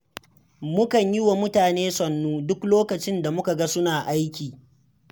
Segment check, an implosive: absent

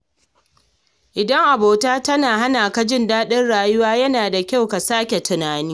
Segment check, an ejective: absent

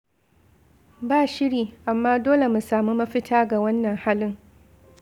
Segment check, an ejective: absent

